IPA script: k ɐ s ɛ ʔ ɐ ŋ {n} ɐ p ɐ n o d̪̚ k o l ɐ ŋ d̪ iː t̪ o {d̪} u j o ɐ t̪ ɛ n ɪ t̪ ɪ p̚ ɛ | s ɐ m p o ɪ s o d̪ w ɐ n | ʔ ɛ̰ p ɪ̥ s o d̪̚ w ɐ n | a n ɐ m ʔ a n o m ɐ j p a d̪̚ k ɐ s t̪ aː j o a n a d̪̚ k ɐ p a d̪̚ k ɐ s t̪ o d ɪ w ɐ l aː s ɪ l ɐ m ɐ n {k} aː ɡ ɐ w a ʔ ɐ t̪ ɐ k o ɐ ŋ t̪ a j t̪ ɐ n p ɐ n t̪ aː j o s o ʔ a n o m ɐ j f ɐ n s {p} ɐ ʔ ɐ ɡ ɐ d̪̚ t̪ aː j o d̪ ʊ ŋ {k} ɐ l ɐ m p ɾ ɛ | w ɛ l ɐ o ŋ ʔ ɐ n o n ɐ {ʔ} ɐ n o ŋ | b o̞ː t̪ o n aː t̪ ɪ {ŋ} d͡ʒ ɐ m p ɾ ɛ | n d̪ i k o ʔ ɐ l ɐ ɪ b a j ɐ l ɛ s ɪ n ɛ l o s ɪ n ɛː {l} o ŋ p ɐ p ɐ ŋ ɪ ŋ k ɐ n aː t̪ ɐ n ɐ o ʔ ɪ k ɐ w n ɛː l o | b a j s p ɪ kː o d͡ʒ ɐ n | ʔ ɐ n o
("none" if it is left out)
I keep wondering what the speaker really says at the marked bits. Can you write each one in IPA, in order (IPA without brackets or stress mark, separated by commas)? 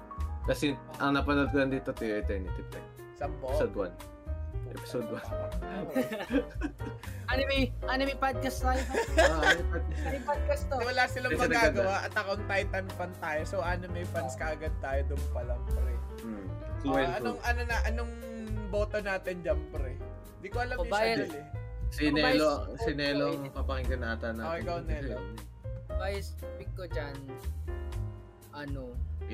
n, t̪, ɡ, k, p, ʔ, n, l